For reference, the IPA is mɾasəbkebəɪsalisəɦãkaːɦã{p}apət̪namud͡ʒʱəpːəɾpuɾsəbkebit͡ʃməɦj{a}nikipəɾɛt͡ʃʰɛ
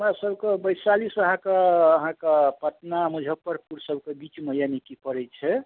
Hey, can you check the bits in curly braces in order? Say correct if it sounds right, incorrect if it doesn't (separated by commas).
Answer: incorrect, correct